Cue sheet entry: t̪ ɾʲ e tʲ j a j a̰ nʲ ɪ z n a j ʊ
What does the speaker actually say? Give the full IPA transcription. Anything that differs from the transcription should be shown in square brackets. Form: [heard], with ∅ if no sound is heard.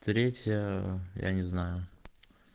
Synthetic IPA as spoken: t̪ ɾʲ e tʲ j [ə] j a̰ nʲ ɪ z n a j ʊ